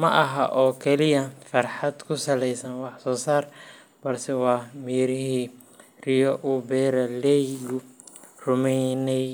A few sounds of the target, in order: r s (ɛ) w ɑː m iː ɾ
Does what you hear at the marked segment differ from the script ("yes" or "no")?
no